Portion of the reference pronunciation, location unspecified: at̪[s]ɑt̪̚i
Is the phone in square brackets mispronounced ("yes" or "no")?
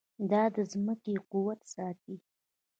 no